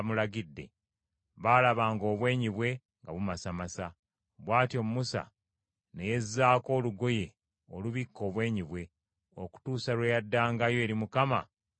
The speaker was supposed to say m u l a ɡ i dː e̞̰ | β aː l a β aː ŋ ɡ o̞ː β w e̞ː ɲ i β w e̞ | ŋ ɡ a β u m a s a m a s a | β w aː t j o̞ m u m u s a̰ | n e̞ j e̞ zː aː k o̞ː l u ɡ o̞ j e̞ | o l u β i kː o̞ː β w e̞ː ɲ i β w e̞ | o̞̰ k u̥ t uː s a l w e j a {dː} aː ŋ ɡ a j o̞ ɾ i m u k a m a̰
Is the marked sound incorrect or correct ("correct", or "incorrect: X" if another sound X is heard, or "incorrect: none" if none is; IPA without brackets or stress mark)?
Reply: correct